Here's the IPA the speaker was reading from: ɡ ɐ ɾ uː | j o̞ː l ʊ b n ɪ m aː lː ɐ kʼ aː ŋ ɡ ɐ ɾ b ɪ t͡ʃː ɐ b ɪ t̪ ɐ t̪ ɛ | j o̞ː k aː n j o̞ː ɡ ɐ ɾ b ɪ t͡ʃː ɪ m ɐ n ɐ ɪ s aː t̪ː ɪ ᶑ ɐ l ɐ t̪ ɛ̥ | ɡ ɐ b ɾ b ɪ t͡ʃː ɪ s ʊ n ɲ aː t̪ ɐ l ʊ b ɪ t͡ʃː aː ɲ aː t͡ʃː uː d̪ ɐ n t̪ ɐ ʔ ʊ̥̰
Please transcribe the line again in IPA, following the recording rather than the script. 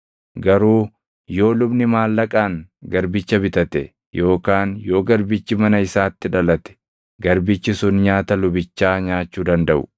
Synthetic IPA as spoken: ɡ ɐ ɾ uː | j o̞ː l ʊ b n ɪ m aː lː ɐ kʼ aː ŋ ɡ ɐ ɾ b ɪ t͡ʃː ɐ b ɪ t̪ ɐ t̪ ɛ | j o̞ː k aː n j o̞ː ɡ ɐ ɾ b ɪ t͡ʃː ɪ m ɐ n ɐ ɪ s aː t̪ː ɪ ᶑ ɐ l ɐ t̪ ɛ̥ | ɡ ɐ ɾ b ɪ t͡ʃː ɪ s ʊ n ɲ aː t̪ ɐ l ʊ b ɪ t͡ʃː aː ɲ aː t͡ʃː uː d̪ ɐ n d̪ ɐ ʔ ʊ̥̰